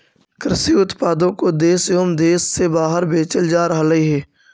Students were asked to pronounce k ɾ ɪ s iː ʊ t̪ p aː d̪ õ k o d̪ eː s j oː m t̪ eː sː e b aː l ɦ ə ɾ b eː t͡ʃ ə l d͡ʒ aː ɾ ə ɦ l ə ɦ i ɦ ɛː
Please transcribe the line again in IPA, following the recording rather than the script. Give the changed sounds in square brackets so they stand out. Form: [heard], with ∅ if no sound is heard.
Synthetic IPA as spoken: k ɾ ɪ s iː ʊ t̪ p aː d̪ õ k o d̪ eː s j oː m [d̪] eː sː e b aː [∅] ɦ ə ɾ b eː t͡ʃ ə l d͡ʒ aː ɾ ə ɦ l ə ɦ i ɦ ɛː